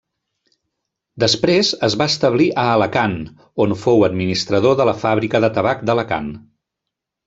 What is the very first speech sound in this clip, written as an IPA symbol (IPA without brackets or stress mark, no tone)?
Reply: d̪